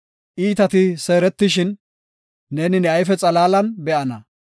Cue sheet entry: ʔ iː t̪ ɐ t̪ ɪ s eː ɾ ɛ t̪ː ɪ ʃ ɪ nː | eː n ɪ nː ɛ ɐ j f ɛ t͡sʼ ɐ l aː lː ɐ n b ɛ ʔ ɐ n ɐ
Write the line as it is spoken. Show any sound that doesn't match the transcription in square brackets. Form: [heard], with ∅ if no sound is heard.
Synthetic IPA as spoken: ʔ iː t̪ ɐ t̪ ɪ s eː ɾ ɛ t̪ː ɪ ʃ ɪ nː | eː n ɪ [n] ɛ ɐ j f ɛ t͡sʼ ɐ l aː [l] ɐ n b ɛ ʔ ɐ n ɐ